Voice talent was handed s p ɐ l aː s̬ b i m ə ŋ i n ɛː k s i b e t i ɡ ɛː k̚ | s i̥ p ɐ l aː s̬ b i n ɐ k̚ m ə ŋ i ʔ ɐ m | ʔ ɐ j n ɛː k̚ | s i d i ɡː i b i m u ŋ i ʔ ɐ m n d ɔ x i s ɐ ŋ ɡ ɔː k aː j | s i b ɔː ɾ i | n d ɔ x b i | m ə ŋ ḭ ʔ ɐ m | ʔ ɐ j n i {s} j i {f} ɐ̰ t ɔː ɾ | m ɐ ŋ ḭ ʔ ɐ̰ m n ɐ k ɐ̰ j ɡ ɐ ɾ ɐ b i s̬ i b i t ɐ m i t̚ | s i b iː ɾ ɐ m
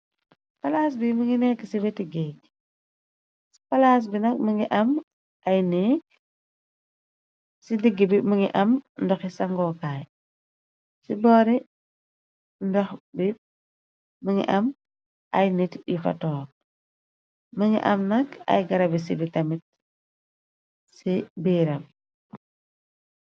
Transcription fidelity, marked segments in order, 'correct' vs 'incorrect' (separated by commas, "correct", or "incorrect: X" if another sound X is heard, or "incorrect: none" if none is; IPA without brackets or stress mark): incorrect: t, correct